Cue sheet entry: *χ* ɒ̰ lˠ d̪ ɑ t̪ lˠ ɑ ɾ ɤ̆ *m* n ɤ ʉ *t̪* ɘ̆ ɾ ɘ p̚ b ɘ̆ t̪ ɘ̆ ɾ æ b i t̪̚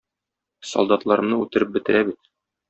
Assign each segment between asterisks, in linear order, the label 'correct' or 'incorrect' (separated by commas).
incorrect, correct, correct